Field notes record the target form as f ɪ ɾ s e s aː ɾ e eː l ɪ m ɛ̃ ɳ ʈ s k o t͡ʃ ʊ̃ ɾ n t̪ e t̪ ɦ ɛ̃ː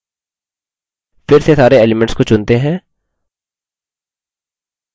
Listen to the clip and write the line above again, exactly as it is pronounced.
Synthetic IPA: f ɪ ɾ s e s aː ɾ e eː l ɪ m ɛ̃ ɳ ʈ s k o t͡ʃ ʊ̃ n t̪ e ɦ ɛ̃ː